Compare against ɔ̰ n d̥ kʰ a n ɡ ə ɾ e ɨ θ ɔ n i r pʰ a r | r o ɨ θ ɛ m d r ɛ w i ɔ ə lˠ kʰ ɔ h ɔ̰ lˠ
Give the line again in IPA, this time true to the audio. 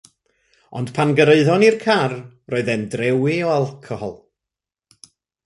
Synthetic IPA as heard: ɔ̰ n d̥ pʰ a n ɡ ə ɾ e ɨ ð ɔ n i r kʰ a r | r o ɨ ð ɛ n d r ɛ w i ɔ a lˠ kʰ ɔ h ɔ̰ lˠ